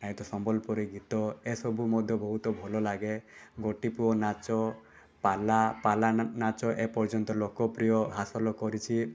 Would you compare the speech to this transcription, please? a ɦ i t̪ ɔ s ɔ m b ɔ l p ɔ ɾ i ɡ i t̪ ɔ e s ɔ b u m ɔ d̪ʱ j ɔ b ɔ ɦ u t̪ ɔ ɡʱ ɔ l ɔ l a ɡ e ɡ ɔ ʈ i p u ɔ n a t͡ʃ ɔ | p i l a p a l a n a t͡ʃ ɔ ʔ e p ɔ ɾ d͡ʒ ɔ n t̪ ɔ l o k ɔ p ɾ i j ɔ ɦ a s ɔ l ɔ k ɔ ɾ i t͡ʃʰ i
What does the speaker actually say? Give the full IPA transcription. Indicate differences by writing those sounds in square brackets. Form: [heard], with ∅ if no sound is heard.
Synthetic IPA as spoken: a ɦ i t̪ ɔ s ɔ m b ɔ l p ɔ ɾ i ɡ i t̪ ɔ e s ɔ b u m ɔ d̪ʱ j ɔ b ɔ ɦ u t̪ ɔ [bʱ] ɔ l ɔ l a ɡ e ɡ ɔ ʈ i p u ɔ n a t͡ʃ ɔ | p [a] l a p a l a n a t͡ʃ ɔ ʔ e p ɔ ɾ d͡ʒ ɔ n t̪ ɔ l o k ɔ p ɾ i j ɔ ɦ a s ɔ l ɔ k ɔ ɾ i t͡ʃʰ i